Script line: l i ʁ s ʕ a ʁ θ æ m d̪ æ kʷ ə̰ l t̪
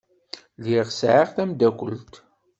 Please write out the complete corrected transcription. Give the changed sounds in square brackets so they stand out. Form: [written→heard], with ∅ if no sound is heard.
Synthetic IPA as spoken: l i ʁ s ʕ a ʁ θ æ m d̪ æ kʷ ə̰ l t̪